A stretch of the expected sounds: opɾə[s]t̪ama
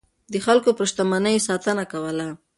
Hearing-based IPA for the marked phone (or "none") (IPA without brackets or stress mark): ʃ